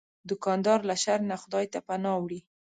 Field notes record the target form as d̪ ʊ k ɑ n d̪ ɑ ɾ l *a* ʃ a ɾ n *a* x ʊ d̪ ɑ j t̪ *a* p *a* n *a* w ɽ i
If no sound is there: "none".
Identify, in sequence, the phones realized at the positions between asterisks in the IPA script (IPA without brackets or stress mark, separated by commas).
a, a, a, a, ɑ